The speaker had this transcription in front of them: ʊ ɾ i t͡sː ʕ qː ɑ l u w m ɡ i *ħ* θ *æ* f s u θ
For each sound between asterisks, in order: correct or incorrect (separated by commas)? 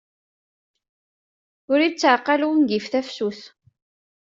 incorrect, correct